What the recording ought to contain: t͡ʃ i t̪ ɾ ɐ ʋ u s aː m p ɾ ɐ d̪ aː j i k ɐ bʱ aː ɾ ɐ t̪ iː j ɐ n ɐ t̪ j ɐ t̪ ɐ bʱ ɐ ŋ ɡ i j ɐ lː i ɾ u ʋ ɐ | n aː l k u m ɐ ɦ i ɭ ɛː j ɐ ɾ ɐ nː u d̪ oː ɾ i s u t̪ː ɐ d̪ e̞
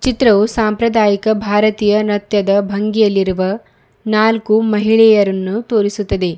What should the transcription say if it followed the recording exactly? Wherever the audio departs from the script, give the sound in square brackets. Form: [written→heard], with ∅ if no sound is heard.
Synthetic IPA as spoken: t͡ʃ i t̪ ɾ ɐ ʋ u s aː m p ɾ ɐ d̪ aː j i k ɐ bʱ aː ɾ ɐ t̪ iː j ɐ n ɐ t̪ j ɐ [t̪→d̪] ɐ bʱ ɐ ŋ ɡ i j ɐ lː i ɾ u ʋ ɐ | n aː l k u m ɐ ɦ i ɭ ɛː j ɐ ɾ ɐ nː u [d̪→t̪] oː ɾ i s u t̪ː ɐ d̪ e̞